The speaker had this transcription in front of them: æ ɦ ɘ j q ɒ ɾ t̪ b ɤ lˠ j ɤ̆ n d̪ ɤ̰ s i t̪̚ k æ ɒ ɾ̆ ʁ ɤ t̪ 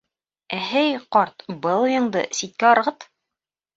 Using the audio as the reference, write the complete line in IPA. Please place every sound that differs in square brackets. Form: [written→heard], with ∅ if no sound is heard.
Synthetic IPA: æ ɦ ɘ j q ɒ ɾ t̪ b ɤ lˠ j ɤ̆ [n→ɴ] d̪ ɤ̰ s i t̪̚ k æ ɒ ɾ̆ ʁ ɤ t̪